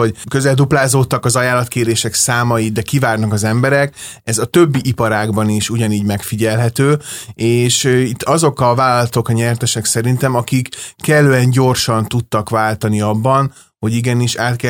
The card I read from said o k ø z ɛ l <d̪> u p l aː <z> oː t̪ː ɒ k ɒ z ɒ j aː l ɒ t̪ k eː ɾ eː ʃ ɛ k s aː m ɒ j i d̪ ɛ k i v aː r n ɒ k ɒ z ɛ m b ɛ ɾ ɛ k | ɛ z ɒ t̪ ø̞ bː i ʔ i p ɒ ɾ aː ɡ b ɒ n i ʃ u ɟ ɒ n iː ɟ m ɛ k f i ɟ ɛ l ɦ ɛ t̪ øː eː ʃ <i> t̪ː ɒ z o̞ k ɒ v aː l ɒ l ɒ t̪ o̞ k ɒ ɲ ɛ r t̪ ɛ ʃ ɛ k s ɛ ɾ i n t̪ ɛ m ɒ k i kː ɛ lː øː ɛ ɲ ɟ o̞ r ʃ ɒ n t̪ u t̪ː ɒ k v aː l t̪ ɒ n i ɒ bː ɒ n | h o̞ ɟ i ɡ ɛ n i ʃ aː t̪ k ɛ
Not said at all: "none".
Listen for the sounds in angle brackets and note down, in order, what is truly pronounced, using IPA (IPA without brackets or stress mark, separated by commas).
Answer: d̪, z, i